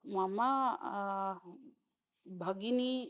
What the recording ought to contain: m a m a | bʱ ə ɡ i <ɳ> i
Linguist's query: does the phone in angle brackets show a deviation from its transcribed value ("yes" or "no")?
yes